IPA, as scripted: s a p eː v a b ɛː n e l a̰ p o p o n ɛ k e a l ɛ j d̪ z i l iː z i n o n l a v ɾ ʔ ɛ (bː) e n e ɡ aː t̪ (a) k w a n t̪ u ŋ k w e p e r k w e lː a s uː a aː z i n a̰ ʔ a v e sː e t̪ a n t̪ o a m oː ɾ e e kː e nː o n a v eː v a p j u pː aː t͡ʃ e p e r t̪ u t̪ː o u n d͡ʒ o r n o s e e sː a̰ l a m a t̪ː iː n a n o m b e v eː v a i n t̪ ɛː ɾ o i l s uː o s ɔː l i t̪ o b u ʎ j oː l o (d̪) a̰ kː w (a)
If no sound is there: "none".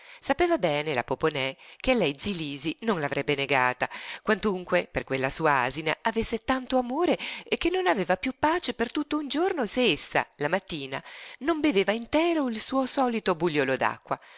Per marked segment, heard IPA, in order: bː, a, d̪, a

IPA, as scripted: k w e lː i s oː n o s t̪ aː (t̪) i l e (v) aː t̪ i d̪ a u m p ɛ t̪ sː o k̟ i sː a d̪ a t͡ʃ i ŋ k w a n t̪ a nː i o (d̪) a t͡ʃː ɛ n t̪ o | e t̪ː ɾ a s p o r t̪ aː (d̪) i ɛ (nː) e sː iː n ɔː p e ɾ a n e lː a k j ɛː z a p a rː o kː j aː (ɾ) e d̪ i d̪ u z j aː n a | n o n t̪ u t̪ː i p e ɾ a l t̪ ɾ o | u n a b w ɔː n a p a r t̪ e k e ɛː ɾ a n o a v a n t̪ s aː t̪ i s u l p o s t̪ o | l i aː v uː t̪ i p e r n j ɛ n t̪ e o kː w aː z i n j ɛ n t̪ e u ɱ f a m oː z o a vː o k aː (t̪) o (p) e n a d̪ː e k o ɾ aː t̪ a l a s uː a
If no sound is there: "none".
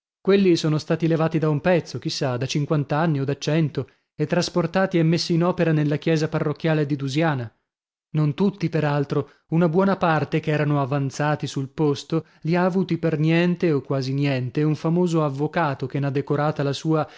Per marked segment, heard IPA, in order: t̪, v, d̪, t̪, mː, l, t̪, k

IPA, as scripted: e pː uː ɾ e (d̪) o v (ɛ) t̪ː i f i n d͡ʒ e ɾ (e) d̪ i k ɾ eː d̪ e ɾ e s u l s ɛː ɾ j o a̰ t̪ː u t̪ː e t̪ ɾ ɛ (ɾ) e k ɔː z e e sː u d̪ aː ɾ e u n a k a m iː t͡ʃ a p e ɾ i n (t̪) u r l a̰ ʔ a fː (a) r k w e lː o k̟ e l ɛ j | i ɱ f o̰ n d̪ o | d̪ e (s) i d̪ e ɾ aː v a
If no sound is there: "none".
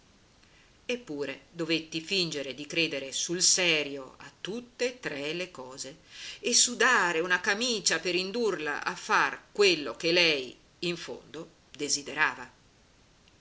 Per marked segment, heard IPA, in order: d̪, e, e, l, d̪, a, z

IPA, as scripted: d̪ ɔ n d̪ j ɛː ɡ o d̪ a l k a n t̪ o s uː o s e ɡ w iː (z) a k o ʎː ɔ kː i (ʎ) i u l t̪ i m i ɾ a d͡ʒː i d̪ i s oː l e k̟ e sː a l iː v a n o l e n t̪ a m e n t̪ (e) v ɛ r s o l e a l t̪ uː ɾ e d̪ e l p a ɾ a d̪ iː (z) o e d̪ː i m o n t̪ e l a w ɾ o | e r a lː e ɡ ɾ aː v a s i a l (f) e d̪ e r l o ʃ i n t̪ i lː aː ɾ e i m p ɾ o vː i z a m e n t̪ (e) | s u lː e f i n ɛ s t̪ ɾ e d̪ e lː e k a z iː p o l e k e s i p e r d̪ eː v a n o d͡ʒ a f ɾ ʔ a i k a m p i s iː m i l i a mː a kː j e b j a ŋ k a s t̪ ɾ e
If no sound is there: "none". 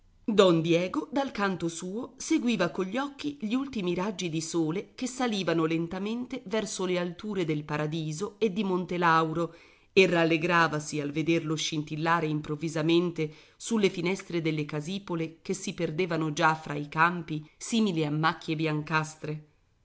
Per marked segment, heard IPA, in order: v, ʎ, e, z, v, e

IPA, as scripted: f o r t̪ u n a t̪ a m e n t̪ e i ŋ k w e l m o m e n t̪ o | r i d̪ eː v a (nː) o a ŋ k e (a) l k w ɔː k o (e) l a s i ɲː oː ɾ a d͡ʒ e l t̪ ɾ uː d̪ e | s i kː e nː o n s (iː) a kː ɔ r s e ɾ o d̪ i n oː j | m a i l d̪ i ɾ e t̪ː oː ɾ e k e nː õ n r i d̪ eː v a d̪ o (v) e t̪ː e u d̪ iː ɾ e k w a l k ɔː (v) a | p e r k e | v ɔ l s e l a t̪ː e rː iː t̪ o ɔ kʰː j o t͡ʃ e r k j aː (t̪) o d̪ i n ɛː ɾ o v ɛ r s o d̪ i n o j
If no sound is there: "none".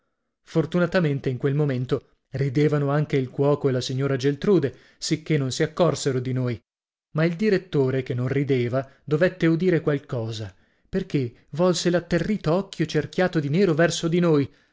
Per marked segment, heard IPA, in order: n, i, e, i, v, z, t̪

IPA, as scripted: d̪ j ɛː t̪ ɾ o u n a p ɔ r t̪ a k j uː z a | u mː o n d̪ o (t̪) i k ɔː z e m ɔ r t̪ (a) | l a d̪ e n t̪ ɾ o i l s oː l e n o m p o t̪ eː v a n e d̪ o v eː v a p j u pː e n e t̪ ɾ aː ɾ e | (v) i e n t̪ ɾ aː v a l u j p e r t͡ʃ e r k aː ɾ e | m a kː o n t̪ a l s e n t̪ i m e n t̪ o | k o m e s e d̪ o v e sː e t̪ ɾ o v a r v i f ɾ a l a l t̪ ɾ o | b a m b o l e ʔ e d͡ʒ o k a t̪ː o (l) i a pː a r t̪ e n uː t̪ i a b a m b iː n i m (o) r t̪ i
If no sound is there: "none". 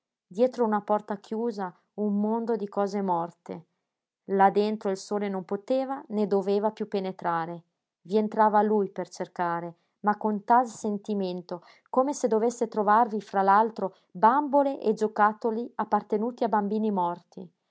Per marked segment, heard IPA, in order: d̪, e, v, l, ɔ

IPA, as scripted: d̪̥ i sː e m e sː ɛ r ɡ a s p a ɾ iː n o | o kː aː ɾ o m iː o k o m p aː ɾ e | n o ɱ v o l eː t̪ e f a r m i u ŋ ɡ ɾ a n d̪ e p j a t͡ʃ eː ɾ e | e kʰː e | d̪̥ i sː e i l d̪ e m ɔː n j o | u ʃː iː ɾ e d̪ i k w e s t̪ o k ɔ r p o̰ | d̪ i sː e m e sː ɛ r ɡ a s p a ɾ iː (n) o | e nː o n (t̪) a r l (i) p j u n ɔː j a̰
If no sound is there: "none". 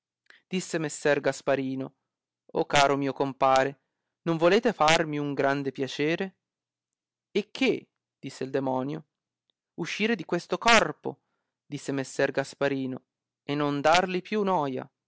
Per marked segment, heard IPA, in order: n, d̪, i

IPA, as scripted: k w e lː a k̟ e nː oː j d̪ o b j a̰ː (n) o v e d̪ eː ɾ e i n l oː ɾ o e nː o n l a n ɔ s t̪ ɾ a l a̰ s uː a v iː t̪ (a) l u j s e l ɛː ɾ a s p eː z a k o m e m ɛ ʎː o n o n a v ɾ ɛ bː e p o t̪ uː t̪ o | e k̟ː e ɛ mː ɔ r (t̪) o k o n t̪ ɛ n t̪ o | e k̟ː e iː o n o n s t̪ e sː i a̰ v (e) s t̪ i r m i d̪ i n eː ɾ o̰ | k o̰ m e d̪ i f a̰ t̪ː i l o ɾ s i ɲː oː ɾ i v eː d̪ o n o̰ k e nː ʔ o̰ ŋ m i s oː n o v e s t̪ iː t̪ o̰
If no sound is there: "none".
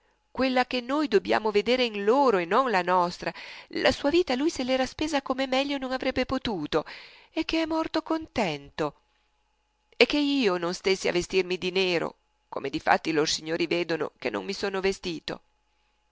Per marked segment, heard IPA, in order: m, a, t̪, e

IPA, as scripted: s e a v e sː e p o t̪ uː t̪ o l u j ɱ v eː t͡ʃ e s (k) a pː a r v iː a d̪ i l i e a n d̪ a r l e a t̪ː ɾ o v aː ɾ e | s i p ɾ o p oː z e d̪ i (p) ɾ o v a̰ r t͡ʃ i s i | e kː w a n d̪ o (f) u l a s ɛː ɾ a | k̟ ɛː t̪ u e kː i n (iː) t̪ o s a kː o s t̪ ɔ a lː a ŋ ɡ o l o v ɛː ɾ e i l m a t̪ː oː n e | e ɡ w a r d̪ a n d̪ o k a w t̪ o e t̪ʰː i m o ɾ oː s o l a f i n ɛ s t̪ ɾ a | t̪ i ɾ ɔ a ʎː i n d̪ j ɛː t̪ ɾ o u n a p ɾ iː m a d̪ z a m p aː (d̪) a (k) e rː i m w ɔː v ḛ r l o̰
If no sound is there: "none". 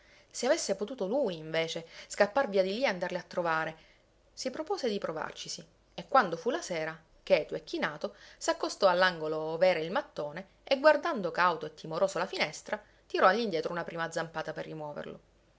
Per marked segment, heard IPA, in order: k, p, f, aː, t̪, p

